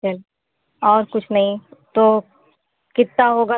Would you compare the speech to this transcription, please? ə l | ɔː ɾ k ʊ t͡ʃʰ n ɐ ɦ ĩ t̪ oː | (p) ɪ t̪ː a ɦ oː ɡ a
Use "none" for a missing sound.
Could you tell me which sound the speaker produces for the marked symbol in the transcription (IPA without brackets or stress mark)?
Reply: k